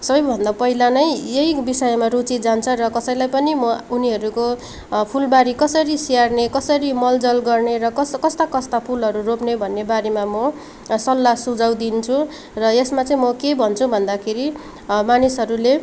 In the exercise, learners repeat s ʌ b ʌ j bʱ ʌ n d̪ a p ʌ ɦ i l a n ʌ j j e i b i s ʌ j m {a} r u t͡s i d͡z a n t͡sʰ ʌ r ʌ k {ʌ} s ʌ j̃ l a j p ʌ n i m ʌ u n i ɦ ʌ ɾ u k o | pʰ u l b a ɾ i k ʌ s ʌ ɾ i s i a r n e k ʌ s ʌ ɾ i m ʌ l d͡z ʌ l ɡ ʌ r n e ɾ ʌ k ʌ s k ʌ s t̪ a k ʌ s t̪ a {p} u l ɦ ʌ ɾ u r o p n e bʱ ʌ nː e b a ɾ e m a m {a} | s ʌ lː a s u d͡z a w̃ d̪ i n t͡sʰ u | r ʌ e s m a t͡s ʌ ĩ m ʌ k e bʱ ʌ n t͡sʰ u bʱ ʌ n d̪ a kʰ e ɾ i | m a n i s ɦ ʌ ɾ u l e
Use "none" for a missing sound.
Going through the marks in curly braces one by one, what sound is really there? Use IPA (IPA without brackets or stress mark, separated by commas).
a, ʌ, pʰ, ʌ